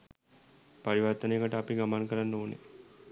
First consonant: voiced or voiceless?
voiceless